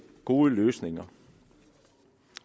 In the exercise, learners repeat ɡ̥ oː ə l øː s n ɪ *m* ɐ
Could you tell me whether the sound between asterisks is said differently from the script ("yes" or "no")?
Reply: yes